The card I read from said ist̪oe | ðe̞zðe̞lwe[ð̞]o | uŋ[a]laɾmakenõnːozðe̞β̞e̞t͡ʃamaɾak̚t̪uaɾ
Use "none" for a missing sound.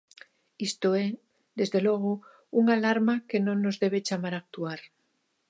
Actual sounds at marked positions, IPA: ɣ̞, a

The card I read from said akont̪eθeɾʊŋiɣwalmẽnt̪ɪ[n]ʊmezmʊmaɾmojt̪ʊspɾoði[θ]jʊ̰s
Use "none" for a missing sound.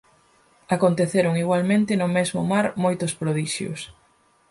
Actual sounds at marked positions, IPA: n, ʃ

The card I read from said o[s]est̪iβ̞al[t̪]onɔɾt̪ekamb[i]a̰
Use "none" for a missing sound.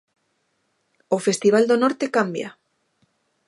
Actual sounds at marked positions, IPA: f, d̪, j

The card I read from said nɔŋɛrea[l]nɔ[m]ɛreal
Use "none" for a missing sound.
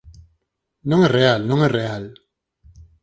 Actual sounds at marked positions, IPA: l, ŋ

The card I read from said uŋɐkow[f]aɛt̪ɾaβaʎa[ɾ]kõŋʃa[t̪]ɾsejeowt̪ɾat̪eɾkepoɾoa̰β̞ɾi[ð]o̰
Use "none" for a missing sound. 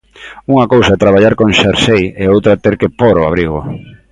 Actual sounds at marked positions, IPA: s, ɾ, none, ɣ

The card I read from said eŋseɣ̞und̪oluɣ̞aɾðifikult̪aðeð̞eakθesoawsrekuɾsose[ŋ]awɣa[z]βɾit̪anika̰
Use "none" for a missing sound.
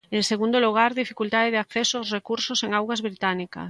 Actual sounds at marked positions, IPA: ŋ, z

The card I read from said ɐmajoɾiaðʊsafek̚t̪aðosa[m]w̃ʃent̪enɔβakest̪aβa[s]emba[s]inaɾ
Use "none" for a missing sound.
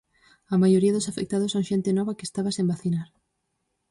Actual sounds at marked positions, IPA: none, s, θ

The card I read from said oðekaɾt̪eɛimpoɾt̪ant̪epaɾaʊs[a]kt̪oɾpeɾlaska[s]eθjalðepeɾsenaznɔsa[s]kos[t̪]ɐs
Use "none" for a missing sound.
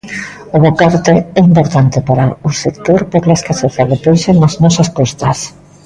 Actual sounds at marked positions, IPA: e, s, s, t̪

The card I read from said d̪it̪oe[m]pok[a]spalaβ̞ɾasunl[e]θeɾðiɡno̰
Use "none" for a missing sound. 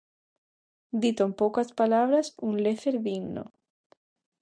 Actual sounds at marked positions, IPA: m, a, e

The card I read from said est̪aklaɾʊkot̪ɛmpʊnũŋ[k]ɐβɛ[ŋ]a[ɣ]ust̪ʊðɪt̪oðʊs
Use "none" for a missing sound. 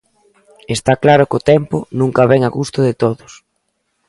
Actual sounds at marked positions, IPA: k, ŋ, ɣ

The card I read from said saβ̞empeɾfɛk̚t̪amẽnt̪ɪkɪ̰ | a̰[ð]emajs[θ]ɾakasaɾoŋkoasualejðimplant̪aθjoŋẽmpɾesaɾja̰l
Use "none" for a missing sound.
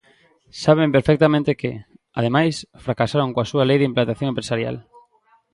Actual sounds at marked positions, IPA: ð, f

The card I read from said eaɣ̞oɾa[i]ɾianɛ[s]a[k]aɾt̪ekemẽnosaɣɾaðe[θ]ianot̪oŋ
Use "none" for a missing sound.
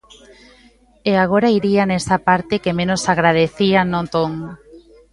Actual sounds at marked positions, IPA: i, s, p, θ

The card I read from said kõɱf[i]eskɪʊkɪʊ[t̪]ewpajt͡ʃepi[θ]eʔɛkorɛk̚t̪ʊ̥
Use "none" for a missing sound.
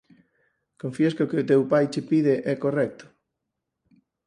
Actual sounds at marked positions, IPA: i, t̪, ð

